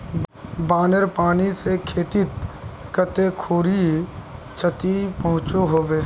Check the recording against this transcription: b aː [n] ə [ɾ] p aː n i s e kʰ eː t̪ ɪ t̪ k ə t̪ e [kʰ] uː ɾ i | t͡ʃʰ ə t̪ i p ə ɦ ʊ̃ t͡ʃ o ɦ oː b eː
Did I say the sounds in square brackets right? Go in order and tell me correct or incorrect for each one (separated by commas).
correct, correct, correct